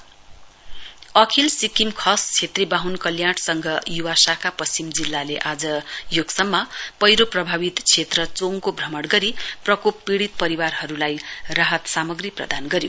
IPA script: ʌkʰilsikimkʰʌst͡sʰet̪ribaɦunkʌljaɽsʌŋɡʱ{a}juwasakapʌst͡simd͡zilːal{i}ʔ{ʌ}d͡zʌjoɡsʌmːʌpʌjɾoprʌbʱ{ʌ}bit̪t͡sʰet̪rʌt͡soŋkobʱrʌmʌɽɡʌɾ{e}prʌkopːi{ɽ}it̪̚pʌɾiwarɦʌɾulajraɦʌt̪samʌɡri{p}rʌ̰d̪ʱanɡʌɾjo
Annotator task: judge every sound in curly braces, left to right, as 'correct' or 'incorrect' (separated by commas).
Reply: incorrect, incorrect, incorrect, incorrect, incorrect, correct, correct